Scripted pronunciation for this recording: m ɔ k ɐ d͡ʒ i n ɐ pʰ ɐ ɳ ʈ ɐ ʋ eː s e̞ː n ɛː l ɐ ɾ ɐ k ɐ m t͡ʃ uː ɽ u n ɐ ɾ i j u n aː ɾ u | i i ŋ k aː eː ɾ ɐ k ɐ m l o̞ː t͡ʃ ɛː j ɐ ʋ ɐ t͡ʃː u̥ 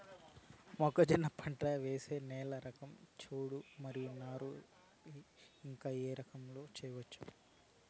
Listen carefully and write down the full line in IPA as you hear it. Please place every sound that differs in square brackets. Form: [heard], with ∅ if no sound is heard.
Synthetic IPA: m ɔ k ɐ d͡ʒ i n ɐ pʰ ɐ ɳ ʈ ɐ ʋ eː s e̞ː n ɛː l ɐ ɾ ɐ k ɐ m t͡ʃ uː ɽ u [m] ɐ ɾ i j u n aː ɾ u | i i ŋ k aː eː ɾ ɐ k ɐ m l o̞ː t͡ʃ ɛː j ɐ ʋ ɐ t͡ʃː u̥